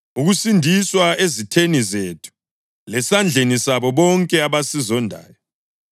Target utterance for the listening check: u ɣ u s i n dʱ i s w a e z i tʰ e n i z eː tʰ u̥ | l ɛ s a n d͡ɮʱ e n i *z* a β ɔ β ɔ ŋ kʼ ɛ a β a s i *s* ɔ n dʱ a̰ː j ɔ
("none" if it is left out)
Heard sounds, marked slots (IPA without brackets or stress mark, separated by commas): s, z